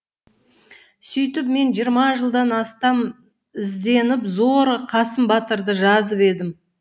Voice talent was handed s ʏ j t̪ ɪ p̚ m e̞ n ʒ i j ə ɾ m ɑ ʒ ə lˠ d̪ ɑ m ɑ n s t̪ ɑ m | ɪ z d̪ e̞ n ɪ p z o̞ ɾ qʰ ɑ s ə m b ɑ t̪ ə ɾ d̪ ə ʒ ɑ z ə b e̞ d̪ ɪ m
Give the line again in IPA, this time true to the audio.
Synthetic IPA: s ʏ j t̪ ɪ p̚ m e̞ n ʒ i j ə ɾ m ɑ ʒ ə lˠ d̪ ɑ n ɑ s t̪ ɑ m | ɪ z d̪ e̞ n ɪ p z o̞ ɾ qʰ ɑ s ə m b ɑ t̪ ə ɾ d̪ ə ʒ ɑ z ə p e̞ d̪ ɪ m